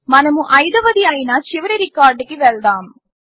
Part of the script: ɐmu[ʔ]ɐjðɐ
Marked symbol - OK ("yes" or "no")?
yes